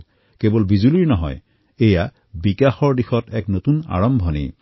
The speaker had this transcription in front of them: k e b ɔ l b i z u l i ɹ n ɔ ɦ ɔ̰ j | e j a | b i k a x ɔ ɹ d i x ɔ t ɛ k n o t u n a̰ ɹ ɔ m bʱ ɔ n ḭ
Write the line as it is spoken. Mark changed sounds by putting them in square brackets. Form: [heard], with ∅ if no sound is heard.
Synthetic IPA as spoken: k e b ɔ l b i z u l i ɹ n ɔ ɦ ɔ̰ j | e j a | b i k a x ɔ ɹ d i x ɔ t ɛ k n o t u n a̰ ɹ ɔ m bʱ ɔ n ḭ